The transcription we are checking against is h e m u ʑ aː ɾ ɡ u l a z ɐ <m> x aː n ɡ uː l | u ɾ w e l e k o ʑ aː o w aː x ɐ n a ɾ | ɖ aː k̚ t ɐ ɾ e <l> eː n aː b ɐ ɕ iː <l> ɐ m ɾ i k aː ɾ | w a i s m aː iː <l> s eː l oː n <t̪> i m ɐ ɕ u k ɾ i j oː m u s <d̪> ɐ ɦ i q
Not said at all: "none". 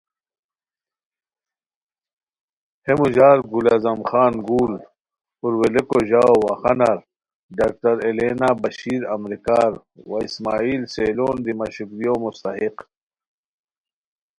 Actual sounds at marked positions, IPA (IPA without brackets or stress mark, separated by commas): m, l, ɾ, l, d̪, t̪